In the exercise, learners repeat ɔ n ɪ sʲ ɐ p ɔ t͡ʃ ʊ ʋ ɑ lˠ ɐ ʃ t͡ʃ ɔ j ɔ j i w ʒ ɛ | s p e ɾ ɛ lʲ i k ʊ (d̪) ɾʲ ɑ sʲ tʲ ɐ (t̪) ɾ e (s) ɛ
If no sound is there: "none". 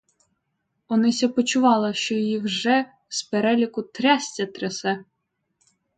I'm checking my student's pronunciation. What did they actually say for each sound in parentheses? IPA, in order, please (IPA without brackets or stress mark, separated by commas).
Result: t̪, t̪, s